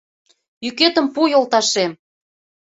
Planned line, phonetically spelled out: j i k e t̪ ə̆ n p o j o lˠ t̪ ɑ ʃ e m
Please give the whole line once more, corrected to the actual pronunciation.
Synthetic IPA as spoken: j y k e t̪ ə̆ m p u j o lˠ t̪ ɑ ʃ e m